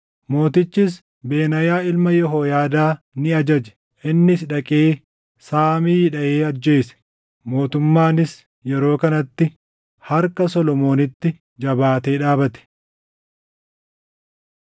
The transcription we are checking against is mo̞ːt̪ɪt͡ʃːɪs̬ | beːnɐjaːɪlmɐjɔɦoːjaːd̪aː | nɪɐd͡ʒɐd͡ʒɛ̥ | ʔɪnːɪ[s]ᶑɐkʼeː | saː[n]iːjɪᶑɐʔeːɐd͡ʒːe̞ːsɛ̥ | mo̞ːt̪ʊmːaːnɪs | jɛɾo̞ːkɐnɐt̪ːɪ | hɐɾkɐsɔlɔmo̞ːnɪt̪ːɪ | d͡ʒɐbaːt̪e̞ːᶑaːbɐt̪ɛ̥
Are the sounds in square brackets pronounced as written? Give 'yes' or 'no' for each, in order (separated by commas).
yes, no